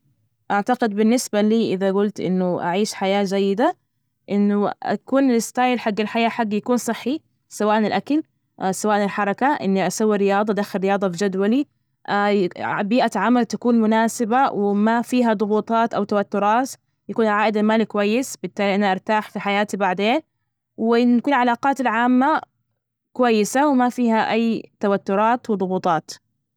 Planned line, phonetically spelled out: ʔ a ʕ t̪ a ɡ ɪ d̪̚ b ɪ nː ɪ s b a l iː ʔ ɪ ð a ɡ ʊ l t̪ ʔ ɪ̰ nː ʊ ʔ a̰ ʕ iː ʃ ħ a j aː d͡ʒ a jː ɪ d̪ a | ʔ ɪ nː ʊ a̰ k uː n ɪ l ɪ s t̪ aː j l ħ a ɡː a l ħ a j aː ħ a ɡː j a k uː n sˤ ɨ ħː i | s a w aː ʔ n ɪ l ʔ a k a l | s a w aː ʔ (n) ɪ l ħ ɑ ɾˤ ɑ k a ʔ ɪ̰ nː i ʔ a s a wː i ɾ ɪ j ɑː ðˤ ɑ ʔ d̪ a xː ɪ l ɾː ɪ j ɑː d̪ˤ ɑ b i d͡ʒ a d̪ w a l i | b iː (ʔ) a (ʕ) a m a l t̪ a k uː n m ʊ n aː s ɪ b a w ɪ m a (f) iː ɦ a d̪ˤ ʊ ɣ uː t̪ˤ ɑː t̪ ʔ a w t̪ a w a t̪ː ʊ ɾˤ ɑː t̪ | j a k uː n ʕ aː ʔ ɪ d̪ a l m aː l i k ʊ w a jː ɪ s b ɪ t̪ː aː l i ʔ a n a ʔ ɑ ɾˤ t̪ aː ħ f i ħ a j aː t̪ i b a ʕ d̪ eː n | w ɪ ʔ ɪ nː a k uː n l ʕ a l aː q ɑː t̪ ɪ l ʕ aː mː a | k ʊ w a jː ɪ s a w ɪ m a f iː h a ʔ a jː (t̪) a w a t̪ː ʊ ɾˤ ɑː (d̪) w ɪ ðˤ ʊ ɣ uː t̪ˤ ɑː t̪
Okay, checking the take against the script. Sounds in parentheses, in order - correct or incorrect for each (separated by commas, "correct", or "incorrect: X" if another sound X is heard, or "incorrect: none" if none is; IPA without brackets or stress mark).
correct, correct, correct, correct, correct, incorrect: t̪